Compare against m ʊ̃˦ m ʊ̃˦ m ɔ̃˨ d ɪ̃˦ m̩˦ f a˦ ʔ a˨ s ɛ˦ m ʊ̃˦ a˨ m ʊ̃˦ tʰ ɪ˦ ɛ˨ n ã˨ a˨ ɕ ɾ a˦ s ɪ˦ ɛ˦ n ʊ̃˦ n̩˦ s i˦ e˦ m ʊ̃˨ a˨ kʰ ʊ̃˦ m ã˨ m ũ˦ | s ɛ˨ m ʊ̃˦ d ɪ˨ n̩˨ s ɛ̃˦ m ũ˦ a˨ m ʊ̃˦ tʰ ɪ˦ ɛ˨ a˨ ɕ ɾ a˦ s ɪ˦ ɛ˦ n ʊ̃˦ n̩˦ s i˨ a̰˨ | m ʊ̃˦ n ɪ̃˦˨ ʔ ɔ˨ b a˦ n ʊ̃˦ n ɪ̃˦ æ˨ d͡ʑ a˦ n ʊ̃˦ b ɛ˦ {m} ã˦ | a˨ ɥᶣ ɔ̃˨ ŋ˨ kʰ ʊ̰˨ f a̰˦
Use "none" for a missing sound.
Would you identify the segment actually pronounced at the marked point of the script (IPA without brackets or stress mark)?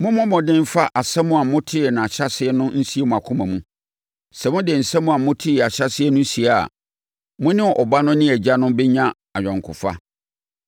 ɲ